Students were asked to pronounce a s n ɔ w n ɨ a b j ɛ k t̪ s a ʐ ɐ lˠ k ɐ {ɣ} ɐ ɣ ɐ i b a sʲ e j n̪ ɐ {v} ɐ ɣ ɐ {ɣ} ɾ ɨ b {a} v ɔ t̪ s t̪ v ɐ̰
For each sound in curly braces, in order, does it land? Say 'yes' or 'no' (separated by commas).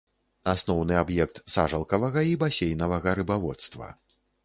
no, yes, no, yes